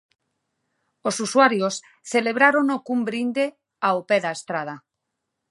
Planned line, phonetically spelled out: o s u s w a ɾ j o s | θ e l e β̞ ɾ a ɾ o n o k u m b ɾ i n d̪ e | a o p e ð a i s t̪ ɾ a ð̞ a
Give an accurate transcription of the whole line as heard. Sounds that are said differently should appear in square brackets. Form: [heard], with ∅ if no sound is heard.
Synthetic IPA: o s u s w a ɾ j o s | θ e l e β̞ ɾ a ɾ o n o k u m b ɾ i n d̪ e | a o p e ð a [e] s t̪ ɾ a ð̞ a

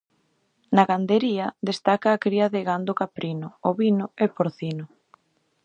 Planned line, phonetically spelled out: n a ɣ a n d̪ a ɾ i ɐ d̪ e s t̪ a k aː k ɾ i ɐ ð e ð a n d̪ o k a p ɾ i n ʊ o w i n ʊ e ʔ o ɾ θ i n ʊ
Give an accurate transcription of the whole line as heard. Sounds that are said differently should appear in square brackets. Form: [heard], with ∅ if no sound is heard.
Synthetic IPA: n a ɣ a n d̪ [e] ɾ i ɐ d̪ e s t̪ a k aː k ɾ i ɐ ð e [ɣ] a n d̪ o k a p ɾ i n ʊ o [β] i n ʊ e [p] o ɾ θ i n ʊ

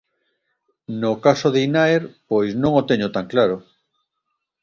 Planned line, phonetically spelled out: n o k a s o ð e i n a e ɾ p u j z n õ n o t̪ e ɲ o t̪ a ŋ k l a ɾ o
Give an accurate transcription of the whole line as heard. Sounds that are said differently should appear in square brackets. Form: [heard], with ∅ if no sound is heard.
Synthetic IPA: n o k a s o ð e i n a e ɾ p [o] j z n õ [ŋ] o t̪ e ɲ o t̪ a ŋ k l a ɾ o

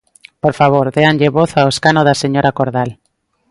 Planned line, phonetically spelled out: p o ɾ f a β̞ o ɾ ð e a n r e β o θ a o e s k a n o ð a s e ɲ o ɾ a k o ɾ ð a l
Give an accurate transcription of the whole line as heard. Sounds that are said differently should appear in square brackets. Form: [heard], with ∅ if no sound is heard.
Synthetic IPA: p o ɾ f a β̞ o ɾ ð e a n [ʎ] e β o θ a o e s k a n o ð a s e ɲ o ɾ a k o ɾ ð a l

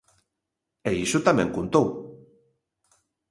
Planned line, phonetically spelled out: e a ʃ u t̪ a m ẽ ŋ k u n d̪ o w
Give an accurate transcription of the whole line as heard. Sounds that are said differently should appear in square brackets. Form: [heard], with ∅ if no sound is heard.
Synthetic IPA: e [i] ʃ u t̪ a m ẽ ŋ k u n [t̪] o w

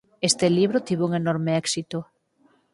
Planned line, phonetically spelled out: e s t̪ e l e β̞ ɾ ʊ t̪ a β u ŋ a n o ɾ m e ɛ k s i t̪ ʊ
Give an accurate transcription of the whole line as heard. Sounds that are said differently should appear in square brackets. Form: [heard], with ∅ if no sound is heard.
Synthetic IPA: e s t̪ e l [i] β̞ ɾ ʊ t̪ [i] β u ŋ [e] n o ɾ m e ɛ k s i t̪ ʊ

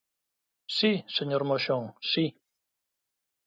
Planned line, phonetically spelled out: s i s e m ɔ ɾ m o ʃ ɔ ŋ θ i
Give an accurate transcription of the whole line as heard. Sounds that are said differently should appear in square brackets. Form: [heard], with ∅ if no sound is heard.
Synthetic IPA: s i s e [ɲ] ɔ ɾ m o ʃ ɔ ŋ [s] i

